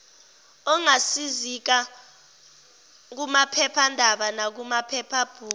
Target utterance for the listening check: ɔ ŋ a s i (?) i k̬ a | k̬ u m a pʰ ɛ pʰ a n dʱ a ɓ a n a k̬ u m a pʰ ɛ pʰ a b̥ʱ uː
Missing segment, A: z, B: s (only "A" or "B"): A